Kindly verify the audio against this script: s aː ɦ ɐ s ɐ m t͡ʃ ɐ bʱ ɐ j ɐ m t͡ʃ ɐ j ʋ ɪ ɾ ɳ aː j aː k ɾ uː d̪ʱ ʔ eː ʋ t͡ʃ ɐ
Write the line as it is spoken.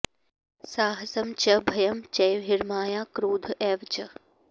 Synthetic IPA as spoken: s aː ɦ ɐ s ɐ m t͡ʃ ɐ bʱ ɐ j ɐ m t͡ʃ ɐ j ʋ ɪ ɾ m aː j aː k ɾ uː d̪ʱ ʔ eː ʋ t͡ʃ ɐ